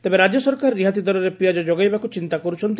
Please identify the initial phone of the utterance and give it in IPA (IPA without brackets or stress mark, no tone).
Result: t̪